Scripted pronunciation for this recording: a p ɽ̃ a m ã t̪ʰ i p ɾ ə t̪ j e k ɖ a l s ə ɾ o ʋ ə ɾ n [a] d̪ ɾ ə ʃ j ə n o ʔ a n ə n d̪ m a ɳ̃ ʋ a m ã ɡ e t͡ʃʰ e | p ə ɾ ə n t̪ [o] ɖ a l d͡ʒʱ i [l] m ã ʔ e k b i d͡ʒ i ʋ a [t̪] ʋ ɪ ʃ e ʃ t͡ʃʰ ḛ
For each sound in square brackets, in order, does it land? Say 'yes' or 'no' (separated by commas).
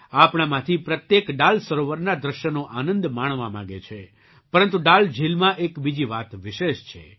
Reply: yes, no, yes, yes